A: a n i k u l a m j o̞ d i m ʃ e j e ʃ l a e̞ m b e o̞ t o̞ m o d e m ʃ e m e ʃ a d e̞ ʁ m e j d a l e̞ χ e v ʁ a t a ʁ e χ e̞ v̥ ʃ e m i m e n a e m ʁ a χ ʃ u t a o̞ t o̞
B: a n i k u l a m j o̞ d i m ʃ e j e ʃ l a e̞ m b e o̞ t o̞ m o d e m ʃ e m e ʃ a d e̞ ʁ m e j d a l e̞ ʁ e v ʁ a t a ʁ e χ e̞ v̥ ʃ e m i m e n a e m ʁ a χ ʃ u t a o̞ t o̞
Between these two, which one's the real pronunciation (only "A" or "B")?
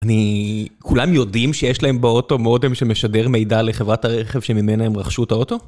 A